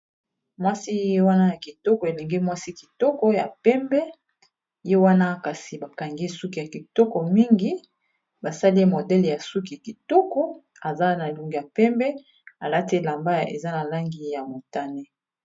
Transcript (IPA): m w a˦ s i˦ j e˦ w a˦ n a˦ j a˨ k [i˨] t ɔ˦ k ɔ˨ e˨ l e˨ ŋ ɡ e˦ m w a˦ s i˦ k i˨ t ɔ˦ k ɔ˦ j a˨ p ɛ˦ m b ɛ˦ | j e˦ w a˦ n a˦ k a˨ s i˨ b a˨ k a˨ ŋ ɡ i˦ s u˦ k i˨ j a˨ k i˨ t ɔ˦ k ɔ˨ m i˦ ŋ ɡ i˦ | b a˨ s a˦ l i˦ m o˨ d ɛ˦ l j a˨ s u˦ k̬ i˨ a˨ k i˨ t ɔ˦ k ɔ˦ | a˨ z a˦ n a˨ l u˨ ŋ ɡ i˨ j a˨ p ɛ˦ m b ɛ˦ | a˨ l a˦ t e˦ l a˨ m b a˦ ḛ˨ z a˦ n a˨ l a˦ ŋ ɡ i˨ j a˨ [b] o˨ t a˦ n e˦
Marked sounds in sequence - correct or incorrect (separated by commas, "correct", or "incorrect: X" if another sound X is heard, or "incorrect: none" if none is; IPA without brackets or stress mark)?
correct, incorrect: m